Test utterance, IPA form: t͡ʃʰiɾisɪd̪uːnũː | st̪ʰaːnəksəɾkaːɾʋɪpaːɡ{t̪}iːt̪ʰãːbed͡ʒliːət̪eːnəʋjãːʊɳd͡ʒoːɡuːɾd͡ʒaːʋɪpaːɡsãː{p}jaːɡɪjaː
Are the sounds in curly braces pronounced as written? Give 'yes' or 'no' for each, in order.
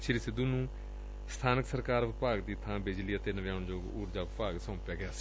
no, yes

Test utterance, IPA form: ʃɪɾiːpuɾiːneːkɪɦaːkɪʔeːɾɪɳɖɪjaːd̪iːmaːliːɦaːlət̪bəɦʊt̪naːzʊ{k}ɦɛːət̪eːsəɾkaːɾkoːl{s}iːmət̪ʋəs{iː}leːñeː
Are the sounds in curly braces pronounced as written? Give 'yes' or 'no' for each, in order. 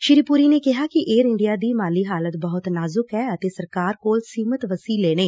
yes, yes, yes

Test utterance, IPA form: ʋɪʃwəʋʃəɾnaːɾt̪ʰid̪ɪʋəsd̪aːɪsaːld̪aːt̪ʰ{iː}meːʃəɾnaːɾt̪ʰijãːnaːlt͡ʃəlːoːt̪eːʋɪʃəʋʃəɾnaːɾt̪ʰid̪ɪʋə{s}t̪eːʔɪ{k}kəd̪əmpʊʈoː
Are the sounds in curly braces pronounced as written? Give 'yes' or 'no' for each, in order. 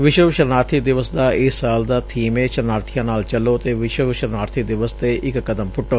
yes, yes, yes

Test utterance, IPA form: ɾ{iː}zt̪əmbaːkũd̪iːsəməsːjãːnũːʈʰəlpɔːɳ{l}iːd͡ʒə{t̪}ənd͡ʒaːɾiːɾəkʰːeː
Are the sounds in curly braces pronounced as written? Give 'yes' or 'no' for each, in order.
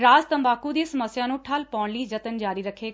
no, yes, yes

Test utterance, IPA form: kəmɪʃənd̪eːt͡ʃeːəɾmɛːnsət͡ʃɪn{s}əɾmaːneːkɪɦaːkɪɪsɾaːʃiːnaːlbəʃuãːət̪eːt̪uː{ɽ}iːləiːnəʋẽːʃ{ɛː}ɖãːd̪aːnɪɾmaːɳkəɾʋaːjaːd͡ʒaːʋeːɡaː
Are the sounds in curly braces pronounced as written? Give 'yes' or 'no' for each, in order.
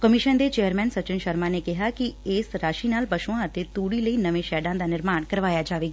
no, yes, yes

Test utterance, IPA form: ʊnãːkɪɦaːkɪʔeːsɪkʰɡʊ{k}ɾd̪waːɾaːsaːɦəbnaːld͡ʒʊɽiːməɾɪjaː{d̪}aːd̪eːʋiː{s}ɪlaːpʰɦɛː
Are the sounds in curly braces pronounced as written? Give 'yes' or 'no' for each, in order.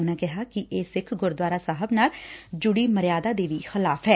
no, yes, no

